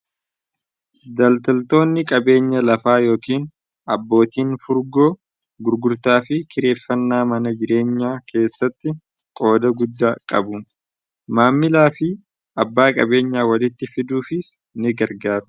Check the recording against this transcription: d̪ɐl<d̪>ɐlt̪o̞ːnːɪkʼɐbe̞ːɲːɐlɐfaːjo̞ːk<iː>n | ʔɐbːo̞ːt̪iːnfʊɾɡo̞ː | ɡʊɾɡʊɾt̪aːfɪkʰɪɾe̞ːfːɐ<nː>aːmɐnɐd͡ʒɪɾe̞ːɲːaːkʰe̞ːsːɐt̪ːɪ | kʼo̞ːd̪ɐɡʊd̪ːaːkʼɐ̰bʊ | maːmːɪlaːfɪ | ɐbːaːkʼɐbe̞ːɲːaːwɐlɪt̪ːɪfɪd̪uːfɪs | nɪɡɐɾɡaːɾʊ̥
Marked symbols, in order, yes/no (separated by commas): no, yes, yes